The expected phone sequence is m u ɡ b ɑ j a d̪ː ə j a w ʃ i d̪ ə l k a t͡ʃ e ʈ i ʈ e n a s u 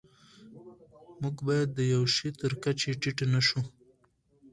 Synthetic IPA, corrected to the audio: m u ɡ b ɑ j a d̪ː ə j a w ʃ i t̪ ə ɾ k a t͡ʃ e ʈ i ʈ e n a ʃ u